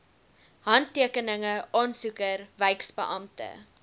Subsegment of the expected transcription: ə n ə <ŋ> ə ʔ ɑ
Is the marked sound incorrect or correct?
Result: correct